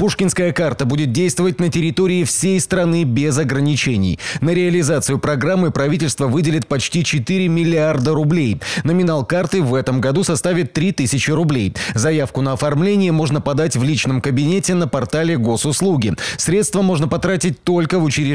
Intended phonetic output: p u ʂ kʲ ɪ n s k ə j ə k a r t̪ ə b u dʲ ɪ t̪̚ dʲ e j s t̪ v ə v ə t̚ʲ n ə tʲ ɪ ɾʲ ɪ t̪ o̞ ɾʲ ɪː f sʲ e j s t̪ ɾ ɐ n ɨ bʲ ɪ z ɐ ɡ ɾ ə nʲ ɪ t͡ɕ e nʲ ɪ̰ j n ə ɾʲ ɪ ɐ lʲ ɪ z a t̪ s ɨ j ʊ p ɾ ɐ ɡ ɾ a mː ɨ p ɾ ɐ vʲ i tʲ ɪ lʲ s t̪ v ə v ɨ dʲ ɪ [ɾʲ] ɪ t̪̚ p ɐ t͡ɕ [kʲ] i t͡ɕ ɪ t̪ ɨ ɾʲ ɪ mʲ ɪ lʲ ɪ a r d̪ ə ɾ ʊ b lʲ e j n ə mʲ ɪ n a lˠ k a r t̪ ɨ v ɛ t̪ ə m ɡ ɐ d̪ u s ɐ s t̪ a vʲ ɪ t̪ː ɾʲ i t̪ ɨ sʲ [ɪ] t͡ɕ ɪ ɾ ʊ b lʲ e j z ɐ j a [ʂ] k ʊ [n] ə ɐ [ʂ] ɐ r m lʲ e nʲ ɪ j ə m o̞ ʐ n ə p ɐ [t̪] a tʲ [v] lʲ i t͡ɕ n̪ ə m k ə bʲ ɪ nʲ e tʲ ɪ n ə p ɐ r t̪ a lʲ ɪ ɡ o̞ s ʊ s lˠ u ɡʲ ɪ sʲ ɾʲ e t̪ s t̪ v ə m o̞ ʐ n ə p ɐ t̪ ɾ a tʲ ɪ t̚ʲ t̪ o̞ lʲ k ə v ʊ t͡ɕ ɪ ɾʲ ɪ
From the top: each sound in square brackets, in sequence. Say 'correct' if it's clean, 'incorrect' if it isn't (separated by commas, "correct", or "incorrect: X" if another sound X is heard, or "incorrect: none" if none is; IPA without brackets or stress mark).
incorrect: lʲ, incorrect: tʲ, correct, incorrect: f, correct, incorrect: f, incorrect: d̪, correct